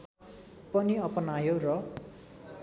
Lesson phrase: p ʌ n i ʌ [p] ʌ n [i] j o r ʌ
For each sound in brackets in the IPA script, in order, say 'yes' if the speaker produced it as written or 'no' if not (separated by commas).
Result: yes, no